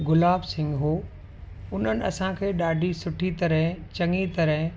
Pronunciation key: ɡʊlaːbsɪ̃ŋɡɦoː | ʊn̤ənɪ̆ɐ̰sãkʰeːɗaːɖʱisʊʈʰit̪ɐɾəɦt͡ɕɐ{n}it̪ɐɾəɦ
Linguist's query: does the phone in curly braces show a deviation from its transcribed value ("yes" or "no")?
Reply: yes